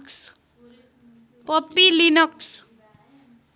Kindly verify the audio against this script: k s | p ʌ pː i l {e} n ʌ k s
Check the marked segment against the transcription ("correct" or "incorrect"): incorrect